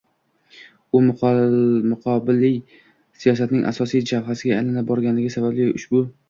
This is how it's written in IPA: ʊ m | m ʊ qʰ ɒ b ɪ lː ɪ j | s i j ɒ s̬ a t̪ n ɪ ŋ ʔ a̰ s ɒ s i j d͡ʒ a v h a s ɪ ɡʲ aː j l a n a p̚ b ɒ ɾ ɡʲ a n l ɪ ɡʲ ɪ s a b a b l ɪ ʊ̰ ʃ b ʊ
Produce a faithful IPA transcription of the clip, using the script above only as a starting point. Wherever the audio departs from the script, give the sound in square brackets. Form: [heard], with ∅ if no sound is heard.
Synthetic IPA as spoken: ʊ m | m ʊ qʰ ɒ b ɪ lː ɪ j | s i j ɒ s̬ a t̪ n ɪ ŋ ʔ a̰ s ɒ s i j d͡ʒ a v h a s ɪ ɡʲ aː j l a n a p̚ b ɒ ɾ ɡʲ a n l ɪ ɡʲ ɪ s a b a b l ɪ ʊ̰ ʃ b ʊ

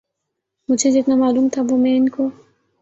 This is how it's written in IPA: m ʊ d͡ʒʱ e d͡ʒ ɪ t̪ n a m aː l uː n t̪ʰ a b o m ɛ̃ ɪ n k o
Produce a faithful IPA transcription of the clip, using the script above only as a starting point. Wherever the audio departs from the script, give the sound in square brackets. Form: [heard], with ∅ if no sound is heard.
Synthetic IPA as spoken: m ʊ d͡ʒʱ e d͡ʒ ɪ t̪ n a m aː l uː [m] t̪ʰ a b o m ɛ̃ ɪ n k o

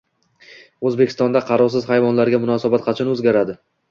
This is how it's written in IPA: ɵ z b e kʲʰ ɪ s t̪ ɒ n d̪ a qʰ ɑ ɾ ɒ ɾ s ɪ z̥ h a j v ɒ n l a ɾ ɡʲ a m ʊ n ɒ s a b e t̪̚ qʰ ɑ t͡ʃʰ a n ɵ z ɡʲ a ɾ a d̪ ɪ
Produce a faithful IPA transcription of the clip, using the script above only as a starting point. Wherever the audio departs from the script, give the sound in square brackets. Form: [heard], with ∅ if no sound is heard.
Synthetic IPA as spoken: ɵ z b e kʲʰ ɪ s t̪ ɒ n d̪ a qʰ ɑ ɾ ɒ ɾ s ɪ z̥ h a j v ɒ n l a ɾ ɡʲ a m ʊ n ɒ s a b [a] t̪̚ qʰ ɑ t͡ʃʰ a n ɵ z ɡʲ a ɾ a d̪ ɪ

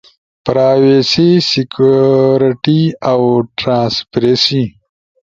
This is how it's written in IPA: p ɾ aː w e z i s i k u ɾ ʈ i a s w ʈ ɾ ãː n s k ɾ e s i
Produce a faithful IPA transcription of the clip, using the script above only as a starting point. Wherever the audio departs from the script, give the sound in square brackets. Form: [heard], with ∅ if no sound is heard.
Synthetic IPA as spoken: p ɾ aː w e [s] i s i k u ɾ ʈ i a [∅] w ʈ ɾ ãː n s [p] ɾ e s i

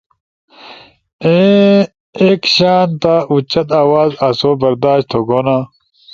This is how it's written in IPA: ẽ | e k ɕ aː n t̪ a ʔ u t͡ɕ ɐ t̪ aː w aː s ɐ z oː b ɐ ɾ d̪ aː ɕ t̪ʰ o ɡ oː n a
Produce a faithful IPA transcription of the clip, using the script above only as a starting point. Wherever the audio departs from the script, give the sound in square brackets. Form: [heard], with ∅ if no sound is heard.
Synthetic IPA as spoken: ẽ | e k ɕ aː n t̪ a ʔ u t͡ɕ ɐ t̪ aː w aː [z] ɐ [s] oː b ɐ ɾ d̪ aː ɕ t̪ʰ o ɡ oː n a

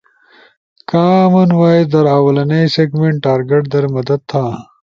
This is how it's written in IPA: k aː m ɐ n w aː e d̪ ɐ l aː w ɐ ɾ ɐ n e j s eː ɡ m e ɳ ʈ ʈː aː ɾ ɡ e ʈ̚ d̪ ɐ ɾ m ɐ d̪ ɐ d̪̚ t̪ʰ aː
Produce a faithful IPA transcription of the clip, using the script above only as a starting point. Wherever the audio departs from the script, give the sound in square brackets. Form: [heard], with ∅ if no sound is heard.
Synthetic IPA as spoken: k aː m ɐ n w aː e d̪ ɐ [ɾ] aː w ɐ [l] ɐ n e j s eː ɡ m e ɳ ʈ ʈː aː ɾ ɡ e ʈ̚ d̪ ɐ ɾ m ɐ d̪ ɐ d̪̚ t̪ʰ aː

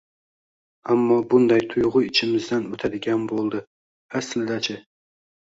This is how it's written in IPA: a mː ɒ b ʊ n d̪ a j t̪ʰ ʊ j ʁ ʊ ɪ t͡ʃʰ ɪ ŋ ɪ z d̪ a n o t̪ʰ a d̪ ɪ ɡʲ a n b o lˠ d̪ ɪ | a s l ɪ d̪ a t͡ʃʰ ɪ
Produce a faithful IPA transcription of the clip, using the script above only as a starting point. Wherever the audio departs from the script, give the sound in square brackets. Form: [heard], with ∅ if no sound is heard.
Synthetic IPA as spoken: a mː ɒ b ʊ n d̪ a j t̪ʰ ʊ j ʁ ʊ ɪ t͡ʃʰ ɪ [m] ɪ z d̪ a n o t̪ʰ a d̪ ɪ ɡʲ a n b o lˠ d̪ ɪ | a s l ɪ d̪ a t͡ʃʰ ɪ

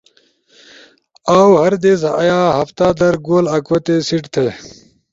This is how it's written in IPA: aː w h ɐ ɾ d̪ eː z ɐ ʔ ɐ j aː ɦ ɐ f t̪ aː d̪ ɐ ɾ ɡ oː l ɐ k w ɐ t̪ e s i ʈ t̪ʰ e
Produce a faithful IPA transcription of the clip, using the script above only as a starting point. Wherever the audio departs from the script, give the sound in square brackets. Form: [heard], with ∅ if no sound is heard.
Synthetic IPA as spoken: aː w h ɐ ɾ d̪ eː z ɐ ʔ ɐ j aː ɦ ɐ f t̪ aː d̪ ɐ ɾ ɡ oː l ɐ k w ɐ t̪ e s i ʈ t̪ʰ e

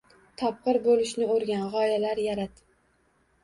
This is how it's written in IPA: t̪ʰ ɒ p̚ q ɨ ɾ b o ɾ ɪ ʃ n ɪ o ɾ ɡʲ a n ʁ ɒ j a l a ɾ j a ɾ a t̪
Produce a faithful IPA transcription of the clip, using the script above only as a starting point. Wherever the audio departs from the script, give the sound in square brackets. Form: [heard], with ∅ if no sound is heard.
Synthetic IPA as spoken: t̪ʰ ɒ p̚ q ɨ ɾ b o [l] ɪ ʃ n ɪ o ɾ ɡʲ a n ʁ ɒ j a l a ɾ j a ɾ a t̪

